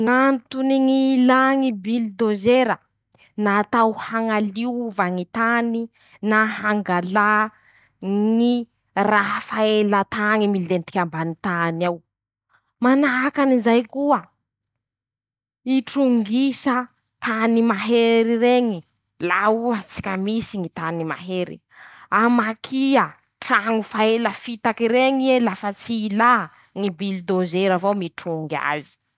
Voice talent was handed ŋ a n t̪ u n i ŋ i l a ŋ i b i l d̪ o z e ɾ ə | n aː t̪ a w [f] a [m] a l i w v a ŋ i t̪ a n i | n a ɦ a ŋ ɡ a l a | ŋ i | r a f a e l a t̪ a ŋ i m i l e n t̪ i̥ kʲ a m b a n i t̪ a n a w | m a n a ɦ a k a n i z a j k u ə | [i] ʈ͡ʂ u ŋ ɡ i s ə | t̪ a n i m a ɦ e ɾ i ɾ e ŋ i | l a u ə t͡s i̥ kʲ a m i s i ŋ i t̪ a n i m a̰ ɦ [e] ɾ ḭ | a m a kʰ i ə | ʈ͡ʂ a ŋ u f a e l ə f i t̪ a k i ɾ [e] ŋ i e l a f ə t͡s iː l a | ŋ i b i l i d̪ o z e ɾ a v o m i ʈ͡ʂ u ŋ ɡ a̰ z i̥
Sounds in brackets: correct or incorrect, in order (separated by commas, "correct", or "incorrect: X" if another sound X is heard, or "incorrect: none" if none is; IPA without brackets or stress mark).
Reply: incorrect: h, incorrect: ŋ, correct, correct, correct